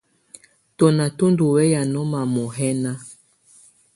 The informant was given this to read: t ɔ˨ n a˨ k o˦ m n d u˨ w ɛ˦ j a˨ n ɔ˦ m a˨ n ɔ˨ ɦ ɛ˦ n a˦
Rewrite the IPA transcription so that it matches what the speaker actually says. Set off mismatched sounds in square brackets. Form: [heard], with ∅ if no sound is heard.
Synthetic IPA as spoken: t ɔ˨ n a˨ [t] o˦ [∅] n d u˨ w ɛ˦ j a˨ n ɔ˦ m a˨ [m] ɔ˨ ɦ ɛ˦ n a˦